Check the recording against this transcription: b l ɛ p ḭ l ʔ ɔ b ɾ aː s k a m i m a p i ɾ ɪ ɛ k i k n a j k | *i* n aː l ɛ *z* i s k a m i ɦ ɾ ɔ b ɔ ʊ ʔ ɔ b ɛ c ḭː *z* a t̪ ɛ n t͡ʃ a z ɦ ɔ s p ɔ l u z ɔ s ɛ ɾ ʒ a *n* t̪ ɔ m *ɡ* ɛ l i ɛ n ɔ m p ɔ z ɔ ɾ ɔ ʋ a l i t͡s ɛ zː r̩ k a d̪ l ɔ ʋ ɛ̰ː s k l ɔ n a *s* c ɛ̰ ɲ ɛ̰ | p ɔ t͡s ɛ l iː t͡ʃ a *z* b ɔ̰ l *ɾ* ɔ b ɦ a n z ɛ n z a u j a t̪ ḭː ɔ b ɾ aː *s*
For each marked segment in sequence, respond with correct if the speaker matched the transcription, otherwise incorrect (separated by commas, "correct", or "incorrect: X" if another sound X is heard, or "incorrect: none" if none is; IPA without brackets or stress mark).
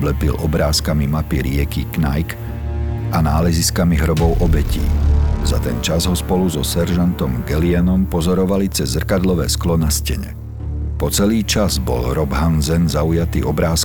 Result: incorrect: a, correct, correct, correct, correct, correct, correct, correct, correct